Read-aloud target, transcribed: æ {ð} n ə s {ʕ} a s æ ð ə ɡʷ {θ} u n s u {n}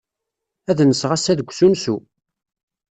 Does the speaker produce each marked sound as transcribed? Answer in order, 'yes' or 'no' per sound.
yes, no, no, no

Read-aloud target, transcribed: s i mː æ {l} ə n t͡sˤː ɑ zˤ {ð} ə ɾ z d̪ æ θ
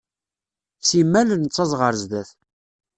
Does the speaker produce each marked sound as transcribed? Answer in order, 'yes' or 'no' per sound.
yes, no

